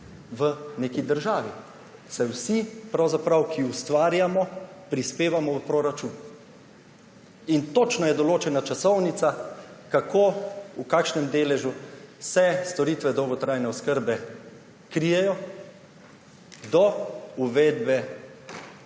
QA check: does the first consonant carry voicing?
yes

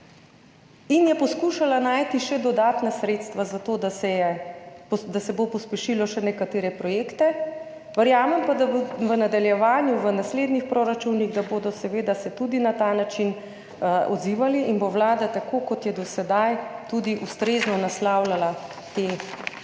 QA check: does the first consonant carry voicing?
yes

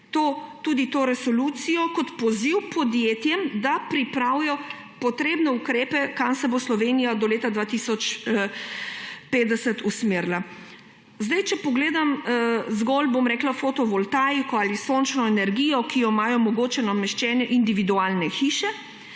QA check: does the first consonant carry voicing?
no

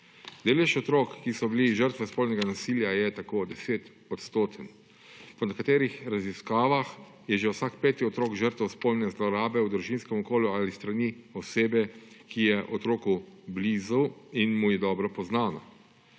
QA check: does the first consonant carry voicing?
yes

